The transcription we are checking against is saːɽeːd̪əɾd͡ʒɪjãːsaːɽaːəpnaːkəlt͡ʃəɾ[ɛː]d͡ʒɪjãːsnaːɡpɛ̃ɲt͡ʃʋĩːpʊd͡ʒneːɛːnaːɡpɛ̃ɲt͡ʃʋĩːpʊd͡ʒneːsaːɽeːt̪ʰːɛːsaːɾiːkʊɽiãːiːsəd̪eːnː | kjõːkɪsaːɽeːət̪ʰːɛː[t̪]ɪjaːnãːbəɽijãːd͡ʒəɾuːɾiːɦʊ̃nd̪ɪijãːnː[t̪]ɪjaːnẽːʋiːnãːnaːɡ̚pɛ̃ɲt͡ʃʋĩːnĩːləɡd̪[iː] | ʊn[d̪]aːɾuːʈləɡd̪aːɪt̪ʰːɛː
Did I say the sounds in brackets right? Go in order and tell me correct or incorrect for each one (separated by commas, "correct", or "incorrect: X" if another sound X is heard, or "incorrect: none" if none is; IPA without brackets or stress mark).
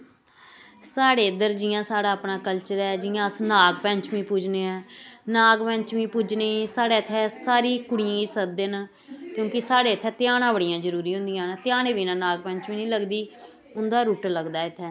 correct, correct, correct, correct, correct